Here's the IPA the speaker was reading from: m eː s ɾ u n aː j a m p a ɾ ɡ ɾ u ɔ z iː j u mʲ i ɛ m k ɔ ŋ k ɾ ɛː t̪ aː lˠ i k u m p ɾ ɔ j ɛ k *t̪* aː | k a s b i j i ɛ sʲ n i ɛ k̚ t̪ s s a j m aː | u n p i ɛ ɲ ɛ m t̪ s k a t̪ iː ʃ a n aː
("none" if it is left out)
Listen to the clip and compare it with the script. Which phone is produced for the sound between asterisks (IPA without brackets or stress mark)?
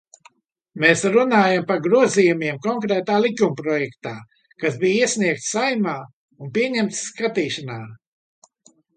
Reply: t̪